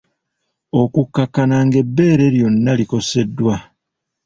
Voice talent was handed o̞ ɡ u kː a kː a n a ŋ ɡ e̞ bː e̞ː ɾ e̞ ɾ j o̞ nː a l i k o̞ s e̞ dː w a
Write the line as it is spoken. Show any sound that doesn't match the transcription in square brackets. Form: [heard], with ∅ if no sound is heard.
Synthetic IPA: o̞ [k] u kː a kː a n a ŋ ɡ e̞ bː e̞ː ɾ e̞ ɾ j o̞ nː a l i k o̞ s e̞ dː w a